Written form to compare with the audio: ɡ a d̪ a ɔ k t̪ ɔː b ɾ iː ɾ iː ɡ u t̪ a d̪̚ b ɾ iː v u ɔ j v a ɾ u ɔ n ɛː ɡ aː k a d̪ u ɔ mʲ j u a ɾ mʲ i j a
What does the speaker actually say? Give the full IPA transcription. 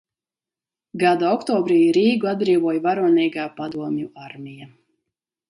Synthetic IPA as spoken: ɡ a d̪ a ɔ k t̪ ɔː b ɾ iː ɾ iː ɡ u a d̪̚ b ɾ iː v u ɔ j v a ɾ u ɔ n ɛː ɡ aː p a d̪ u ɔ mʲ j u a ɾ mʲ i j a